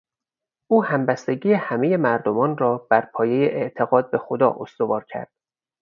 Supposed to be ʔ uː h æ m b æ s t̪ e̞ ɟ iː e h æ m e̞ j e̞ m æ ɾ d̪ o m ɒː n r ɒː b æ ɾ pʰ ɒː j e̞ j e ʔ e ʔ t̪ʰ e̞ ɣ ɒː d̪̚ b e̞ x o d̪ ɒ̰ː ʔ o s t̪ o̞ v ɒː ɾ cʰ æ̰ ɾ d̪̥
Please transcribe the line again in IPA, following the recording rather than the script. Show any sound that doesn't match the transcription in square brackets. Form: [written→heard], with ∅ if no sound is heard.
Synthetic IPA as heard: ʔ uː h æ m b æ s t̪ e̞ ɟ iː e h æ m e̞ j e̞ m æ ɾ d̪ o m ɒː n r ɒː b æ ɾ pʰ ɒː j e̞ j e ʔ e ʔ t̪ʰ e̞ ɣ ɒː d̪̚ b e̞ x o d̪ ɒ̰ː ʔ o s t̪ o̞ v ɒː ɾ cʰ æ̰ ɾ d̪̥